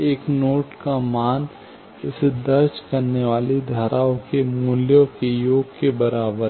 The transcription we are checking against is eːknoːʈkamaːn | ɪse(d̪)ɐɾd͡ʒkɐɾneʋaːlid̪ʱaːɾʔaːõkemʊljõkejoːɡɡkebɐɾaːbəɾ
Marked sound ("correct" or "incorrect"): correct